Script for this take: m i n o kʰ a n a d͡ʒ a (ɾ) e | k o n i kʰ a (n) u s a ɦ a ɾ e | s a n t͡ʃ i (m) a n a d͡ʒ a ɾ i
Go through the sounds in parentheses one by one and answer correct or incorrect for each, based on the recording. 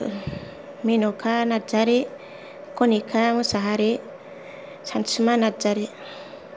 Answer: correct, incorrect, correct

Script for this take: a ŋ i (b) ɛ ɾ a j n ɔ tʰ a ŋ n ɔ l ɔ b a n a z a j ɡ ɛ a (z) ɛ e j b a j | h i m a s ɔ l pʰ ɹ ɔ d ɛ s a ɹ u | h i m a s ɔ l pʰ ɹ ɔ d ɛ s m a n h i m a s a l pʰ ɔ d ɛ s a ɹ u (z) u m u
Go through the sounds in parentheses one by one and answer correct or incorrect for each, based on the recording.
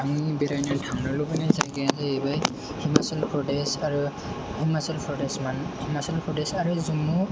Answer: correct, correct, correct

